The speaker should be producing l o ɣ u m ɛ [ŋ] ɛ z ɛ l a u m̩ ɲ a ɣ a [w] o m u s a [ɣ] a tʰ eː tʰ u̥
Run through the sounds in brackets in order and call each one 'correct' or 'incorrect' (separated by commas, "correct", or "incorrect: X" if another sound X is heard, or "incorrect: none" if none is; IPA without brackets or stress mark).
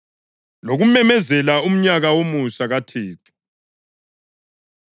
incorrect: m, correct, correct